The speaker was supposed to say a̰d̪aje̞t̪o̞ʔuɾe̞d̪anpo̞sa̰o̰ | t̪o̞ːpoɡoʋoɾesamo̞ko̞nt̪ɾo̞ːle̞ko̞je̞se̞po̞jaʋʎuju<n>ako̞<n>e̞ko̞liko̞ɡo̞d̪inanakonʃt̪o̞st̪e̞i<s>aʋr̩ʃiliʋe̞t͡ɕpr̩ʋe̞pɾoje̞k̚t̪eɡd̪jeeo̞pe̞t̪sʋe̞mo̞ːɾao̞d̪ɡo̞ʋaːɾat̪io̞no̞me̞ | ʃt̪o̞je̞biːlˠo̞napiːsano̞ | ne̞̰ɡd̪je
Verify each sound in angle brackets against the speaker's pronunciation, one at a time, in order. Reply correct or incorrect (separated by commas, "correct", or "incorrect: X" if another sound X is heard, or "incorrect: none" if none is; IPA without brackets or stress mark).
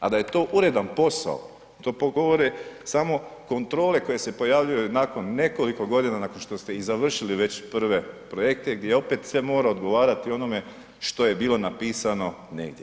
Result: correct, incorrect: nː, incorrect: z